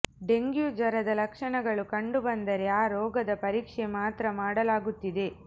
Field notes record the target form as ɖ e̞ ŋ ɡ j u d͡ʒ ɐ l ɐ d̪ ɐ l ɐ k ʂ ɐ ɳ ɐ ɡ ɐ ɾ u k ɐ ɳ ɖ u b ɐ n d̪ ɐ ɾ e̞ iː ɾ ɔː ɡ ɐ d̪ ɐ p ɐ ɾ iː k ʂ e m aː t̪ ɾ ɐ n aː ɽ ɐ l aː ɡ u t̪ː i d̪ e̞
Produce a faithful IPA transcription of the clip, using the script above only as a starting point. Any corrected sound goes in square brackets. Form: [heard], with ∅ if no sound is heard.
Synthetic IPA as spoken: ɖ e̞ ŋ ɡ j u d͡ʒ ɐ [ɾ] ɐ d̪ ɐ l ɐ k ʂ ɐ ɳ ɐ ɡ ɐ [ɭ] u k ɐ ɳ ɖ u b ɐ n d̪ ɐ ɾ e̞ [aː] ɾ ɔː ɡ ɐ d̪ ɐ p ɐ ɾ iː k ʂ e m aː t̪ ɾ ɐ [m] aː ɽ ɐ l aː ɡ u t̪ː i d̪ e̞

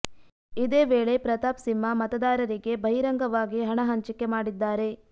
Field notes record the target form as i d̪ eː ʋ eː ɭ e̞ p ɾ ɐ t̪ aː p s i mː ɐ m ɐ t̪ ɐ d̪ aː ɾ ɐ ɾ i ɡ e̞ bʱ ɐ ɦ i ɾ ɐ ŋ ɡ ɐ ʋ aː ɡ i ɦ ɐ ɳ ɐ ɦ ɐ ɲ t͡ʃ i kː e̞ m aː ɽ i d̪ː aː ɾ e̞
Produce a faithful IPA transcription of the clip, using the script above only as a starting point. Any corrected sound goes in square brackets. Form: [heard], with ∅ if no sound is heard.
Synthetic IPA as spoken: i d̪ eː ʋ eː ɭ e̞ p ɾ ɐ t̪ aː p s i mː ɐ m ɐ t̪ ɐ d̪ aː ɾ ɐ ɾ i ɡ e̞ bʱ ɐ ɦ i ɾ ɐ ŋ ɡ ɐ ʋ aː ɡ i ɦ ɐ ɳ ɐ ɦ ɐ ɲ t͡ʃ i kː e̞ m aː ɽ i d̪ː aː ɾ e̞

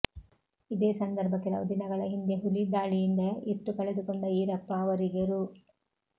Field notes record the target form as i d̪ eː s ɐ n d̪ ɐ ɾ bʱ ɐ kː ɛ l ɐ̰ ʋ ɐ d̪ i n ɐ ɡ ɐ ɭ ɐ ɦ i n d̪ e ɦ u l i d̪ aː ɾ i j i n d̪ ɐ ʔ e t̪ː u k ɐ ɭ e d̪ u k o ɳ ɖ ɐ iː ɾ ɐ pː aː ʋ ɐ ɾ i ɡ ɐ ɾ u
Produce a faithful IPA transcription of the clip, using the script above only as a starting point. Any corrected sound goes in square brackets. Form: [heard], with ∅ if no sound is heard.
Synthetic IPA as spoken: i d̪ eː s ɐ n d̪ ɐ ɾ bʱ ɐ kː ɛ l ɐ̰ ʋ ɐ d̪ i n ɐ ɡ ɐ ɭ ɐ ɦ i n d̪ e ɦ u l i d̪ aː [ɭ] i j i n d̪ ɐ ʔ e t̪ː u k ɐ ɭ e d̪ u k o ɳ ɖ ɐ iː ɾ ɐ pː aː ʋ ɐ ɾ i ɡ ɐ ɾ u

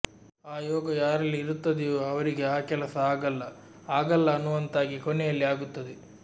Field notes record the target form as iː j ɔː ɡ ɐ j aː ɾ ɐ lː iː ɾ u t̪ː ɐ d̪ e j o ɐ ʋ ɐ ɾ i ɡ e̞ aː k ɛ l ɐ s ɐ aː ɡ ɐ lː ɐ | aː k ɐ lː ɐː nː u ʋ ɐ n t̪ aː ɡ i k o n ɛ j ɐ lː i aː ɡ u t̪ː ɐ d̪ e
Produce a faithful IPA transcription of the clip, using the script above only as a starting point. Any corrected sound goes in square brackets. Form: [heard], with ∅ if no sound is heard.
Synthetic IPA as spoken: [aː] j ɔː ɡ ɐ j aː ɾ ɐ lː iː ɾ u t̪ː ɐ d̪ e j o ɐ ʋ ɐ ɾ i ɡ e̞ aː k ɛ l ɐ s ɐ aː ɡ ɐ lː ɐ | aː [ɡ] ɐ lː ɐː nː u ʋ ɐ n t̪ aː ɡ i k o n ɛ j ɐ lː i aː ɡ u t̪ː ɐ d̪ e

